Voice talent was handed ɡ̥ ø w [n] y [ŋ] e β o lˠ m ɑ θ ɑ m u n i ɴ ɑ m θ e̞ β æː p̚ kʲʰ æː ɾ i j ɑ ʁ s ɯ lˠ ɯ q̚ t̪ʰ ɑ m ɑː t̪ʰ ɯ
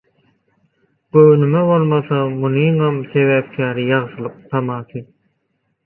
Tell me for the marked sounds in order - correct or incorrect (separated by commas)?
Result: correct, incorrect